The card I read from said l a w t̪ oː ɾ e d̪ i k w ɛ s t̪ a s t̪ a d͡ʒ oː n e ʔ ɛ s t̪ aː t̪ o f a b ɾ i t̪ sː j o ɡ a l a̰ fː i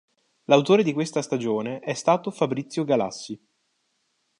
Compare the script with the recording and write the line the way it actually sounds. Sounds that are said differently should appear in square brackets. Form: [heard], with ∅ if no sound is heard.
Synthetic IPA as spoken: l a w t̪ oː ɾ e d̪ i k w [e] s t̪ a s t̪ a d͡ʒ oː n e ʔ ɛ s t̪ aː t̪ o f a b ɾ i t̪ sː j o ɡ a l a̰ [sː] i